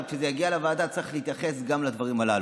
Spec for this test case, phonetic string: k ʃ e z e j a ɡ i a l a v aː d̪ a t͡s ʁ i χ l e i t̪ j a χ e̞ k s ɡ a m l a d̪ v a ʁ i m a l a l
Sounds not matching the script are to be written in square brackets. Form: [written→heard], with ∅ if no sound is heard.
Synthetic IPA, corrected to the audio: k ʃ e z e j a ɡ i a l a v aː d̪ a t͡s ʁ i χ l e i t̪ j a χ e̞ [k→∅] s ɡ a m l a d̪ v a ʁ i m a l a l